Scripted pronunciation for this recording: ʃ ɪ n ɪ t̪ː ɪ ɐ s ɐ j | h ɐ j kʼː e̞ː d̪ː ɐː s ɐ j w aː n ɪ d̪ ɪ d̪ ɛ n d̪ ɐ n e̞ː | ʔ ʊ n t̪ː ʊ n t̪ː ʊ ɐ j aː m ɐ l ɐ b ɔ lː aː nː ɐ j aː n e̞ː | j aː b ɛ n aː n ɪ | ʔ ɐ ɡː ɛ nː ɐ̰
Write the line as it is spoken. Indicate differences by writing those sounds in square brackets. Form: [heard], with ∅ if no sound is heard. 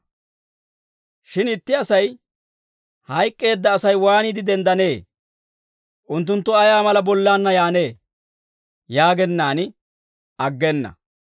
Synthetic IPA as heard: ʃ ɪ n ɪ t̪ː ɪ ɐ s ɐ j | h ɐ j kʼː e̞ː d̪ː ɐː s ɐ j w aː n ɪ d̪ ɪ d̪ ɛ n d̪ ɐ n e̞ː | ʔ ʊ n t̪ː ʊ n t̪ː ʊ ɐ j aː m ɐ l ɐ b ɔ lː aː nː ɐ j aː n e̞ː | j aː [ɡ] ɛ [nː] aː n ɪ | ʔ ɐ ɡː ɛ nː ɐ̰